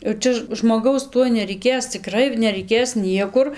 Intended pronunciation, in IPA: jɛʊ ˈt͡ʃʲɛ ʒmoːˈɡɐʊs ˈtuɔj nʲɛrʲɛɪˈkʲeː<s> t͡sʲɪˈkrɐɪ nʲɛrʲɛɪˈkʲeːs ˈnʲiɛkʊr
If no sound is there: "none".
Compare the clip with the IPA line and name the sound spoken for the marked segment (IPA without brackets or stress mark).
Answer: s